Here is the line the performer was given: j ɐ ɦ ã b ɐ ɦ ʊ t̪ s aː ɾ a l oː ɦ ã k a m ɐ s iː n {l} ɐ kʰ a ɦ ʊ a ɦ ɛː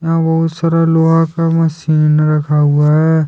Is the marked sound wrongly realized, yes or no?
yes